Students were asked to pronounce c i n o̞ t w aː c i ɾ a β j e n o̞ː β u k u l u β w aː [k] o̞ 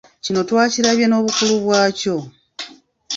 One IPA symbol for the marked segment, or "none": c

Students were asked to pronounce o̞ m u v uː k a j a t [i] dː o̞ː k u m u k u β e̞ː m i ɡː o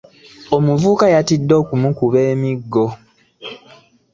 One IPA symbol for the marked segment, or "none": i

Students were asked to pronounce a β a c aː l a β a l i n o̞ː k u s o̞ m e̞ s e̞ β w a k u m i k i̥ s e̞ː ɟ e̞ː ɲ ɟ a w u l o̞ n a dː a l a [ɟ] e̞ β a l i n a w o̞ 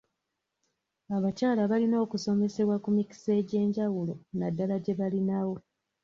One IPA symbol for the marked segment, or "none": ɟ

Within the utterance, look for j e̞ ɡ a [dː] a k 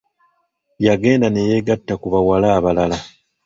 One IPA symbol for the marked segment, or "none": tː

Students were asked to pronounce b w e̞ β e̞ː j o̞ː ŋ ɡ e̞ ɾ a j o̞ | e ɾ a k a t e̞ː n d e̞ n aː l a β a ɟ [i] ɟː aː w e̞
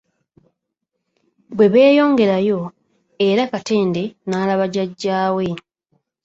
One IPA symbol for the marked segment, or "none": a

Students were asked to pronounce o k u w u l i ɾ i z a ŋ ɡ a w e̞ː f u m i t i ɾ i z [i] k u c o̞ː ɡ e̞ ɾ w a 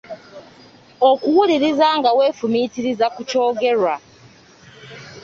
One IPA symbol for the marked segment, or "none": a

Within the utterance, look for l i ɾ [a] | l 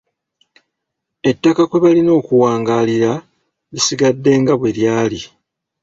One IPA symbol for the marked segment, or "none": a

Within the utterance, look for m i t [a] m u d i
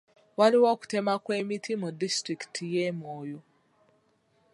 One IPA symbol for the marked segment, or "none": i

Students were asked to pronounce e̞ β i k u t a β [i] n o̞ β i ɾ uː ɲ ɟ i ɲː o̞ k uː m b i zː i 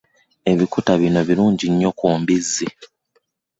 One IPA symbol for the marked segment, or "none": i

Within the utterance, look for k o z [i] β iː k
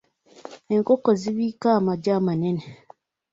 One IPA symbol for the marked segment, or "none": i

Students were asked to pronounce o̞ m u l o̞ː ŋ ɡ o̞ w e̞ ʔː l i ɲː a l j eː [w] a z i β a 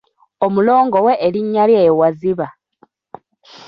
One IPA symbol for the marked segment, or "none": w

